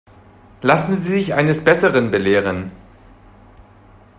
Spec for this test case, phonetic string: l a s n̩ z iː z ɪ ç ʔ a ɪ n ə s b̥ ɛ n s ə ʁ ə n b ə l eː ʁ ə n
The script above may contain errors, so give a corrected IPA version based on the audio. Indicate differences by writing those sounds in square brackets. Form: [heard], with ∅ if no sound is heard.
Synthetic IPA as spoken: l a s n̩ z iː z ɪ ç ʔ a ɪ n ə s b̥ ɛ [∅] s ə ʁ ə n b ə l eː ʁ ə n